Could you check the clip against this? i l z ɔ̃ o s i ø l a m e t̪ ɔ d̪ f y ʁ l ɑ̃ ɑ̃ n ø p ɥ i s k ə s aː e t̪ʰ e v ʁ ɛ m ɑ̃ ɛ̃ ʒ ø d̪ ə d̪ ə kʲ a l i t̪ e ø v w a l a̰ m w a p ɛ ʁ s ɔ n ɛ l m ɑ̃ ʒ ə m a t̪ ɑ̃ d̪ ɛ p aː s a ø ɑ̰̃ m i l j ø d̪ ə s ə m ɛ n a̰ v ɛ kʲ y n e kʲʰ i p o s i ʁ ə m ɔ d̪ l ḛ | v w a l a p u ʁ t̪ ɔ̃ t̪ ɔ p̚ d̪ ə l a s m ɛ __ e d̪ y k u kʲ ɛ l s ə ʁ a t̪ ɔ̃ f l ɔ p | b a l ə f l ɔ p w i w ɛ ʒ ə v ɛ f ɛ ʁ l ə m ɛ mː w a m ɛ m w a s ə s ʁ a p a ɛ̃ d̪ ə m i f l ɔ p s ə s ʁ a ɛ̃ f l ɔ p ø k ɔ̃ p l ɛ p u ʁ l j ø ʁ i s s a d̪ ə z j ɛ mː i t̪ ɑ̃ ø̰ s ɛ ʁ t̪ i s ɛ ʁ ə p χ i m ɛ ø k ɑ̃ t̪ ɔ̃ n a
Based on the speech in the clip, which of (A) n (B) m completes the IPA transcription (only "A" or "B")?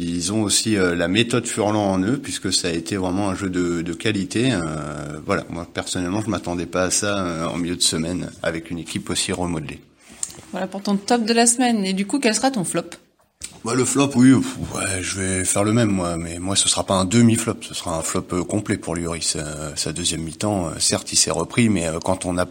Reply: A